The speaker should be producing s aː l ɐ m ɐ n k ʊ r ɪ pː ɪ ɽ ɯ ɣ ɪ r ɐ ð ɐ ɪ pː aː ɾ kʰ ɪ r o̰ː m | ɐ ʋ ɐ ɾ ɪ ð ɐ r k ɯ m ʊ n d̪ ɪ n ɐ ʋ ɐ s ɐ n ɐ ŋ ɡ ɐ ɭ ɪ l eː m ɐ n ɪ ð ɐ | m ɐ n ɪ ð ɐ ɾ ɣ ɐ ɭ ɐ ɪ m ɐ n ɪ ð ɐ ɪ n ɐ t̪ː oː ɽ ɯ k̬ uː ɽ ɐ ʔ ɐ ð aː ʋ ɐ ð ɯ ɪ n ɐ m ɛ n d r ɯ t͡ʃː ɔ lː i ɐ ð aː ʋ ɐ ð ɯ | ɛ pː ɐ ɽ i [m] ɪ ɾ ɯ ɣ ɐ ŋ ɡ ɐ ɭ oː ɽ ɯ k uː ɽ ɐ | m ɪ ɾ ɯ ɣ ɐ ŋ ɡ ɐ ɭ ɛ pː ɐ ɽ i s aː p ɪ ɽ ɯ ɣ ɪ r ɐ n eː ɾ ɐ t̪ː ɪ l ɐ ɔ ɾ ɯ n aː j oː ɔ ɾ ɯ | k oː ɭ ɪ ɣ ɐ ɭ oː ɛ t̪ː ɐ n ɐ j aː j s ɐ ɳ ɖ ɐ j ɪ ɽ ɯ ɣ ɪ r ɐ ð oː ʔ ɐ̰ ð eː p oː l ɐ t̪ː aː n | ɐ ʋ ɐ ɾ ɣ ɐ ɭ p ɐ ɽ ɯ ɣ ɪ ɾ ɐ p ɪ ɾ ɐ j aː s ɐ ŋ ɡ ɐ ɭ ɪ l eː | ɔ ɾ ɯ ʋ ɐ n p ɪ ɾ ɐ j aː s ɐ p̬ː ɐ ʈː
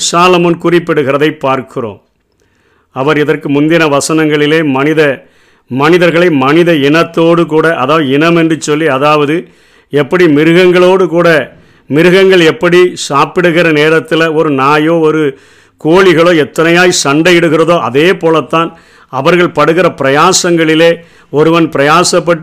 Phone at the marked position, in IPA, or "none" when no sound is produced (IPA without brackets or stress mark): m